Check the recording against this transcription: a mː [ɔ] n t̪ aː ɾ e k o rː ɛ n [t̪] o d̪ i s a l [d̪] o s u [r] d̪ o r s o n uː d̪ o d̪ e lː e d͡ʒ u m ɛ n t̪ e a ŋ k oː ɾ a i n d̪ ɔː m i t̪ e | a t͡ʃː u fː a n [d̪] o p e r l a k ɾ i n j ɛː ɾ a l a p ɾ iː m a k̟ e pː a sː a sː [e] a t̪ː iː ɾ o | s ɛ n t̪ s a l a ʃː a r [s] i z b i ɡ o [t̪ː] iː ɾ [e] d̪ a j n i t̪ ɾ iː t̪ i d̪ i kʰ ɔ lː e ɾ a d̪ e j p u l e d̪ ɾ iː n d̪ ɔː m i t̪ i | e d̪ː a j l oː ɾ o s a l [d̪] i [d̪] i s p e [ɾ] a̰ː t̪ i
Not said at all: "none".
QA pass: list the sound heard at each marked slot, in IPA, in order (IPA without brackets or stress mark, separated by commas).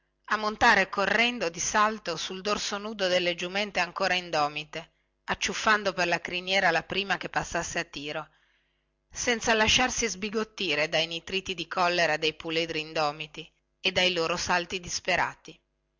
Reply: o, d̪, t̪, l, d̪, e, s, t̪ː, e, t̪, d̪, ɾ